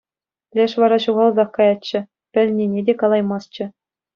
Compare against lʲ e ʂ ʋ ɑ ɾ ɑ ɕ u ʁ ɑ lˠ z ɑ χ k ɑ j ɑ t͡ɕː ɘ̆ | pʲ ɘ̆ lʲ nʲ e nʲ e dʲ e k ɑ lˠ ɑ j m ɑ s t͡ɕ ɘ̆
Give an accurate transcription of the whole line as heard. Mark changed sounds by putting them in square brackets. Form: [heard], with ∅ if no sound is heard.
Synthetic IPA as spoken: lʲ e ʂ ʋ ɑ ɾ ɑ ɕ u ʁ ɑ lˠ z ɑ χ k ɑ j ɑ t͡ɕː ɘ̆ | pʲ ɘ̆ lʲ nʲ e nʲ e dʲ e k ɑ lˠ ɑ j m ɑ s t͡ɕ ɘ̆